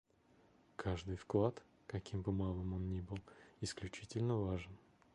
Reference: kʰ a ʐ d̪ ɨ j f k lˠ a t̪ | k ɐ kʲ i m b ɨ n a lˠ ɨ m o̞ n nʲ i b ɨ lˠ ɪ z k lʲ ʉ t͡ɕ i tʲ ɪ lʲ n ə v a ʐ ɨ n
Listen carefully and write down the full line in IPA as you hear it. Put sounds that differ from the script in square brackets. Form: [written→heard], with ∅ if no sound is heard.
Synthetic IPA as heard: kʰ a ʐ d̪ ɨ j f k lˠ a t̪ | k ɐ kʲ i m b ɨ [n→m] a lˠ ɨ m o̞ n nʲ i b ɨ lˠ ɪ [z→s] k lʲ ʉ t͡ɕ i tʲ ɪ lʲ n ə v a ʐ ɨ n